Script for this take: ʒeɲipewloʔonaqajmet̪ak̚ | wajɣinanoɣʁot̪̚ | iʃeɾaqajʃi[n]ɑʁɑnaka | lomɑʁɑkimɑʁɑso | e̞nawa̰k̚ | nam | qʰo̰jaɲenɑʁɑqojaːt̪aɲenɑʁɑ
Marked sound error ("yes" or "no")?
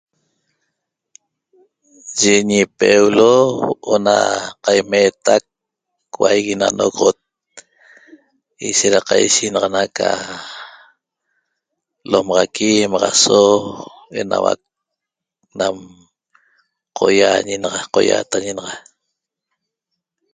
no